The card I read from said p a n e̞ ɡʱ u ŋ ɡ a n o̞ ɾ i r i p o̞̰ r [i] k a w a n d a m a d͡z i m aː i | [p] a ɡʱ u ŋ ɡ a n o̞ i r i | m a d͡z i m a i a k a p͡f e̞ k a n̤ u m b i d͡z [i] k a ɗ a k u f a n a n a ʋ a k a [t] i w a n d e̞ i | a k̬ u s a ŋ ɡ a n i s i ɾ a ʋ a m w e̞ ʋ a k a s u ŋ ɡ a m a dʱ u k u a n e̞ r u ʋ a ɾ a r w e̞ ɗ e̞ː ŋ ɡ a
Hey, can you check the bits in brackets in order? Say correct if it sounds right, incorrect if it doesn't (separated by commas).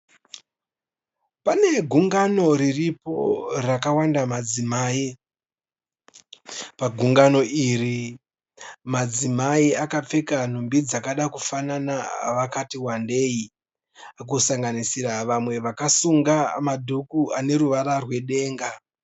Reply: incorrect, correct, incorrect, correct